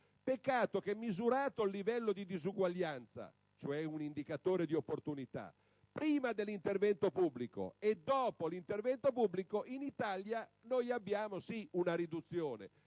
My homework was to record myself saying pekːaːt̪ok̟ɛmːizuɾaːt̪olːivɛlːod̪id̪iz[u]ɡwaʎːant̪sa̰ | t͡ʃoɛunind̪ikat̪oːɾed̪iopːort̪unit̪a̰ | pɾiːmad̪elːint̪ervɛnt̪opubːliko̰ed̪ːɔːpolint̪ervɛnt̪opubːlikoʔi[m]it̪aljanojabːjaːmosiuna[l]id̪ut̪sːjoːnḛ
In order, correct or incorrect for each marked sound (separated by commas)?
correct, incorrect, incorrect